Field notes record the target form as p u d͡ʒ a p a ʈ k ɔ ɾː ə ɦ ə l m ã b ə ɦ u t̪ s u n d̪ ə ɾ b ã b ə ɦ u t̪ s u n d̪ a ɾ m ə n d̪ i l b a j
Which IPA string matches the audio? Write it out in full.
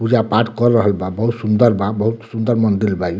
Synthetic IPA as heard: p u d͡ʒ a p a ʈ k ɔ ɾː ə ɦ ə l b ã b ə ɦ u t̪ s u n d̪ ə ɾ b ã b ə ɦ u t̪ s u n d̪ ə ɾ m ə n d̪ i l b a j